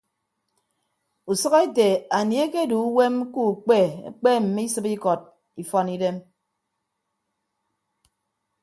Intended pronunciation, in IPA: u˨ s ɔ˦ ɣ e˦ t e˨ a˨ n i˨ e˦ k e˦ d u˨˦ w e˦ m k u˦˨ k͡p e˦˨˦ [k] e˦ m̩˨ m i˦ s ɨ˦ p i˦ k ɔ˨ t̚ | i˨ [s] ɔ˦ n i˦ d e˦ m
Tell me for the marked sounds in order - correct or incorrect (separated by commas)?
incorrect, incorrect